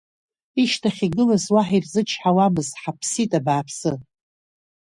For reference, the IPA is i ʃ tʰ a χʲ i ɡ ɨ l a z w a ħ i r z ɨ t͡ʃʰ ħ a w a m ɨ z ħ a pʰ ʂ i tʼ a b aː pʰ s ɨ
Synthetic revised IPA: i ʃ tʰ a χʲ i ɡ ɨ l a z w a ħ i r z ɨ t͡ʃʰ ħ a w a m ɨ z ħ a pʰ s i tʼ a b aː pʰ s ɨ

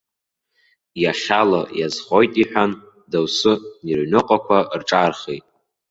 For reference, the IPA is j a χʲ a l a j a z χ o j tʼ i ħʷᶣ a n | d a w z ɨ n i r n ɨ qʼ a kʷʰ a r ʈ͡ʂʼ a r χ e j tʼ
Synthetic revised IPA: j a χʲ a l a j a z χ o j tʼ i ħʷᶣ a n | d a w s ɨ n i r n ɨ qʼ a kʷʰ a r ʈ͡ʂʼ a r χ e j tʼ

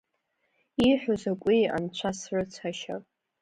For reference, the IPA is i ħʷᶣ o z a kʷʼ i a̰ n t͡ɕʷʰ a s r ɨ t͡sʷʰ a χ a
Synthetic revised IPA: i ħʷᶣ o z a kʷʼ i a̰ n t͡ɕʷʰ a s r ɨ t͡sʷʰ a ʃ a

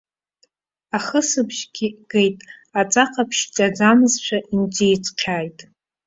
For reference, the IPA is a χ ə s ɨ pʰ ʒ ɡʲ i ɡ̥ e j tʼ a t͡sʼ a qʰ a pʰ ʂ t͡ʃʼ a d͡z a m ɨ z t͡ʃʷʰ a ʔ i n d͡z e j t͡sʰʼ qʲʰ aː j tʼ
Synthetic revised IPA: a χ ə s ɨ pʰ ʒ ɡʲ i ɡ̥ e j tʼ a t͡sʼ a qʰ a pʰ ʃ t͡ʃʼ a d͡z a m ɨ z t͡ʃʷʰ a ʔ i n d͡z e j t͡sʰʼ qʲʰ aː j tʼ

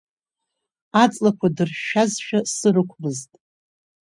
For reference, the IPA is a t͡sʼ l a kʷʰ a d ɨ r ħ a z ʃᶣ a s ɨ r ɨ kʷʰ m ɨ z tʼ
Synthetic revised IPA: a t͡sʼ l a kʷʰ a d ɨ r ʃ a z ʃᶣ a s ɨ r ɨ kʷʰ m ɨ z tʼ

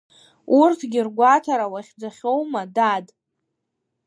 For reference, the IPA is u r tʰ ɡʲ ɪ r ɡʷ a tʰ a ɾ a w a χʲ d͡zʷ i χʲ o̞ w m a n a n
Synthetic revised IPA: u r tʰ ɡʲ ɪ r ɡʷ a tʰ a ɾ a w a χʲ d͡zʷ a χʲ o̞ w m a d a d

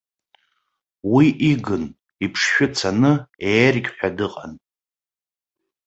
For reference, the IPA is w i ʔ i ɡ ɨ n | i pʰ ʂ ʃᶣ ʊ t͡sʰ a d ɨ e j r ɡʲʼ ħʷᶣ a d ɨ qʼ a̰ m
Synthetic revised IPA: w i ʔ i ɡ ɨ n | i pʰ ʂ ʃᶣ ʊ t͡sʰ a n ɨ e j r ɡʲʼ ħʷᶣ a d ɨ qʼ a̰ n

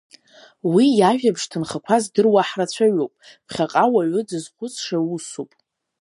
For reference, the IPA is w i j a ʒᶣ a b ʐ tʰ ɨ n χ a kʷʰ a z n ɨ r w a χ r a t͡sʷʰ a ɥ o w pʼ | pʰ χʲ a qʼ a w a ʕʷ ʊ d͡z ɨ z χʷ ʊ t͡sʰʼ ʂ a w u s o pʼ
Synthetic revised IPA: w i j a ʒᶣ a b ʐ tʰ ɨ n χ a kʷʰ a z d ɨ r w a ħ r a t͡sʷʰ a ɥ o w pʼ | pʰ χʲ a qʼ a w a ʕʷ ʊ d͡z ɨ z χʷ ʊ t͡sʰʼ ʂ a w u s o pʼ

